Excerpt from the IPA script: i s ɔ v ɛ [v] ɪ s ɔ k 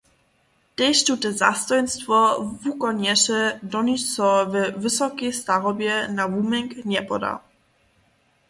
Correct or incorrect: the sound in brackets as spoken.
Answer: correct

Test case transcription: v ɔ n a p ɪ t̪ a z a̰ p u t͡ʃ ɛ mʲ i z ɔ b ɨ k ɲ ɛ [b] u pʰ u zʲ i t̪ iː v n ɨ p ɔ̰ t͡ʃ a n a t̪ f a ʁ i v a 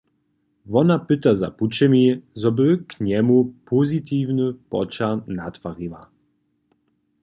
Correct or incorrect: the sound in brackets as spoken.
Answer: incorrect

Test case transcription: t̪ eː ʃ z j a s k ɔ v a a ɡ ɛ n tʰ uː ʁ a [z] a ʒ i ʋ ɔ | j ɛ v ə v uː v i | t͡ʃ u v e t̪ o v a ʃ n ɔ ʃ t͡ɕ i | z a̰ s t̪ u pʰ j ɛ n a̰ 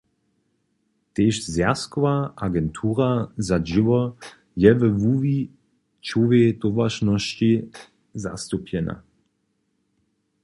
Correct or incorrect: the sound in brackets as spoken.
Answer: correct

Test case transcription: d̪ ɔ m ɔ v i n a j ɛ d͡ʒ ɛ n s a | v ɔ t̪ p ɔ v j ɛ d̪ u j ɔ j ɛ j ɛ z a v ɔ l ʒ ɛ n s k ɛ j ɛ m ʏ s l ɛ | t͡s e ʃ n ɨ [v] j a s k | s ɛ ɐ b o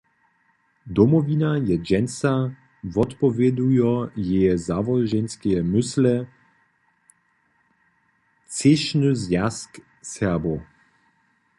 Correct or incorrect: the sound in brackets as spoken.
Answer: incorrect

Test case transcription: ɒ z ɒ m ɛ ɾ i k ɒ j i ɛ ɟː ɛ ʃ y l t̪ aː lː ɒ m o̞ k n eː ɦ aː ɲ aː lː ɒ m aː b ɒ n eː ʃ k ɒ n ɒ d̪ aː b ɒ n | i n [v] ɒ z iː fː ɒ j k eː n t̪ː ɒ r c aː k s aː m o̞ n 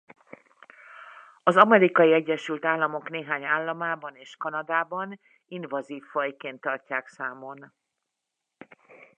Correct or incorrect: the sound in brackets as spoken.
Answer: correct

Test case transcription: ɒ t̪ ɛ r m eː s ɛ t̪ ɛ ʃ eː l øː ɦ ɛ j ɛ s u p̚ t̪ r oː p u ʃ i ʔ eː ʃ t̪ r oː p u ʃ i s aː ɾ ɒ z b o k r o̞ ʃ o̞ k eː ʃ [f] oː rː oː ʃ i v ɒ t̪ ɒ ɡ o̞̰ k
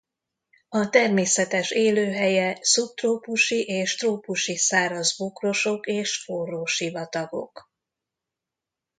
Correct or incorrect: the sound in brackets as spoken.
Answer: correct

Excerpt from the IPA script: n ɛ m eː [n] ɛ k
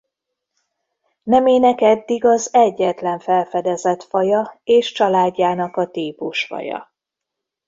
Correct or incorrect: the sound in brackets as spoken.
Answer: correct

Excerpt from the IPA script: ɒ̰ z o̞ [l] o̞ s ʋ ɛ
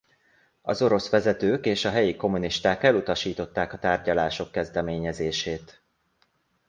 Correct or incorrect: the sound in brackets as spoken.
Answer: incorrect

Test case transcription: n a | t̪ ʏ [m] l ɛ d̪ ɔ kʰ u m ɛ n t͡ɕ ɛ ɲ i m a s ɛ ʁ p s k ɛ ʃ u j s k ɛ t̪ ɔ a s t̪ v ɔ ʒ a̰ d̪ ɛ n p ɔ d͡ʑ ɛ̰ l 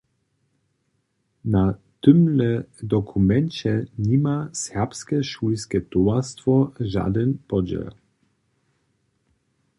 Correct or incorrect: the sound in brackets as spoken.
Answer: correct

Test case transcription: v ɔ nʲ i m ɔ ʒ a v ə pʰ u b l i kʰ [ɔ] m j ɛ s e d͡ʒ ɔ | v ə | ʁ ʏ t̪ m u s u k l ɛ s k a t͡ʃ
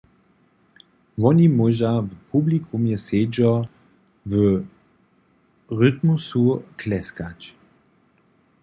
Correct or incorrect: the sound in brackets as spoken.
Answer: incorrect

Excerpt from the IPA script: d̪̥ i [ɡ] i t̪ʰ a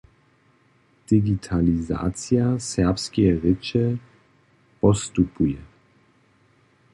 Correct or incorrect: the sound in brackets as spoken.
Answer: correct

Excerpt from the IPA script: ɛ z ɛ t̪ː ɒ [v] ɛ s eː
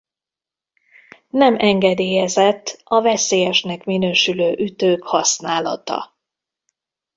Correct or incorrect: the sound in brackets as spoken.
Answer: correct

